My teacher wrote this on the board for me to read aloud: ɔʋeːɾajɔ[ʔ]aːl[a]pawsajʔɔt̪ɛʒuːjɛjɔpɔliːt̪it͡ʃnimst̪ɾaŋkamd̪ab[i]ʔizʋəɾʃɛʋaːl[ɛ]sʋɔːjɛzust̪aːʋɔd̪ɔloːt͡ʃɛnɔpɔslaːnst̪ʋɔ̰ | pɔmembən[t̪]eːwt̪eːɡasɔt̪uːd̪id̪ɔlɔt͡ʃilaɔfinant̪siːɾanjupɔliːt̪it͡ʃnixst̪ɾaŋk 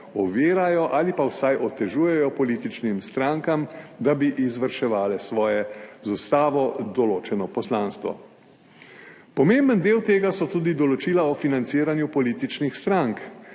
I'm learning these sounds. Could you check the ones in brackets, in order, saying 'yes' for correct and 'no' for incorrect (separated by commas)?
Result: yes, no, yes, yes, no